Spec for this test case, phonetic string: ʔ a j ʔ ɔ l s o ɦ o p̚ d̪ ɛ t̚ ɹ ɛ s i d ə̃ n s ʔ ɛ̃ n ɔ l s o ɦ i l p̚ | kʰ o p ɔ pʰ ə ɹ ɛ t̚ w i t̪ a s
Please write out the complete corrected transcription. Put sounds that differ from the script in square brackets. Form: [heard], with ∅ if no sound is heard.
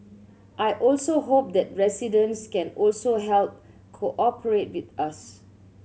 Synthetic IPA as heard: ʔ a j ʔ ɔ l s o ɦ o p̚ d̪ ɛ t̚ ɹ ɛ s i d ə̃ n s [k] ɛ̃ n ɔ l s o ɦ [ɛ] l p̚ | kʰ o [ʔ] ɔ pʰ ə ɹ [e] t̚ w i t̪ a s